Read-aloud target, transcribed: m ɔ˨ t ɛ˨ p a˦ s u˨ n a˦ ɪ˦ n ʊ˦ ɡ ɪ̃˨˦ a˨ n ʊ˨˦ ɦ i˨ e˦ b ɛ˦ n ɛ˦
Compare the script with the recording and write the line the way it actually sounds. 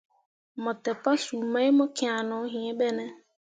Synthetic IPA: m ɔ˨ t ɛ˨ p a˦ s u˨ m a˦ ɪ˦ m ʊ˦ k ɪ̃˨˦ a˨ n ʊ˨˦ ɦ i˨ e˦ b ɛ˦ n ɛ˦